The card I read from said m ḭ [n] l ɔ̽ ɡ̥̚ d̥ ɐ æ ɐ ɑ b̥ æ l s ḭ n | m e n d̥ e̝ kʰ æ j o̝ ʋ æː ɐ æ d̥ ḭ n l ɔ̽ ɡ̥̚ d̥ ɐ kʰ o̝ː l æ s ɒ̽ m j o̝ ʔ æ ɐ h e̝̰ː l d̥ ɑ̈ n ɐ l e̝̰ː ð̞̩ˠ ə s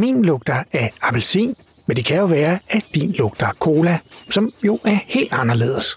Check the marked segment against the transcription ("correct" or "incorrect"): correct